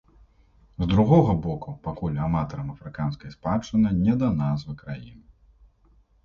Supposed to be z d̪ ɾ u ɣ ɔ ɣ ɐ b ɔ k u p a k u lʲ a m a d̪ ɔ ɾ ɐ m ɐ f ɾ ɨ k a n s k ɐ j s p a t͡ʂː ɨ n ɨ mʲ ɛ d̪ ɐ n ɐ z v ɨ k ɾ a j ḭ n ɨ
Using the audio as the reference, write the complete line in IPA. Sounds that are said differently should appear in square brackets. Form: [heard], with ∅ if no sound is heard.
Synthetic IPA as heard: z d̪ ɾ u ɣ ɔ ɣ ɐ b ɔ k u p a k u lʲ a m a [t̪] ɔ ɾ ɐ m ɐ f ɾ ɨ k a n s k ɐ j s p a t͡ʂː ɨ n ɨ [nʲ] ɛ d̪ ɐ n [a] z v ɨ k ɾ a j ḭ n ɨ